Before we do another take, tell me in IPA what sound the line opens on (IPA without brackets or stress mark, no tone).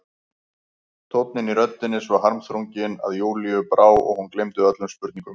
t̪ʰ